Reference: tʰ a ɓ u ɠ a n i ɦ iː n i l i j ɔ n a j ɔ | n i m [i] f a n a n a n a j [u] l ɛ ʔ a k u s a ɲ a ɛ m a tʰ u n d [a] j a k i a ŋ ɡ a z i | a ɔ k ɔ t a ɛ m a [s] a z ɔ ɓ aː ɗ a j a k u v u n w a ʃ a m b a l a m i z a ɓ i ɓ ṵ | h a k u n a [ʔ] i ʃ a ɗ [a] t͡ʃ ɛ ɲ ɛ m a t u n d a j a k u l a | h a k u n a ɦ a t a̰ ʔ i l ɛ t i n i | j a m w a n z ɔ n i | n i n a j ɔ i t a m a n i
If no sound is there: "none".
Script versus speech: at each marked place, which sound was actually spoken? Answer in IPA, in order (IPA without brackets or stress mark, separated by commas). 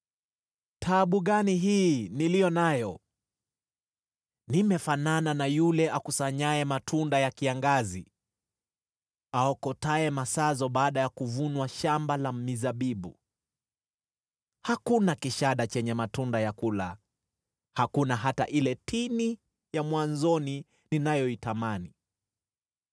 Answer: ɛ, u, a, s, k, a